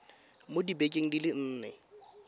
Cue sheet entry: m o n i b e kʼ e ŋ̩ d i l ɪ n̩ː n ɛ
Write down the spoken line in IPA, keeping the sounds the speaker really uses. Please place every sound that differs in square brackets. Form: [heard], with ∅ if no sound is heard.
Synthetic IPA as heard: m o [d] i b e kʼ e ŋ̩ d i l ɪ n̩ː n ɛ